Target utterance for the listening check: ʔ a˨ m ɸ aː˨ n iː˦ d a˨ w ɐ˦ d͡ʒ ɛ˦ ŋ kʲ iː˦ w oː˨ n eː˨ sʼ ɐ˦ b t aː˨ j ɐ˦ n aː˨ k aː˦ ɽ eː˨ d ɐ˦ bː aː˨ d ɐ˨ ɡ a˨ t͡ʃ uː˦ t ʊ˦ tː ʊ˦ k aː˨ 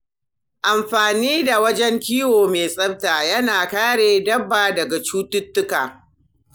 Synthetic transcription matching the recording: ʔ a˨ m ɸ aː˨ n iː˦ d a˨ w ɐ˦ d͡ʒ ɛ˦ ŋ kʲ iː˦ w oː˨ m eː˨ sʼ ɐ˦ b t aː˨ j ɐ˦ n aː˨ k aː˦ ɽ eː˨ d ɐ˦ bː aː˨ d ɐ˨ ɡ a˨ t͡ʃ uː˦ t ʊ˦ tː ʊ˦ k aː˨